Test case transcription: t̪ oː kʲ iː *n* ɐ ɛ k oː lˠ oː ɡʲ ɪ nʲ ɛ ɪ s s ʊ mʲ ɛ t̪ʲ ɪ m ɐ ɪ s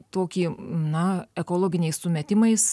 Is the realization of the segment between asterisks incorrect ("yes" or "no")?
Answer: no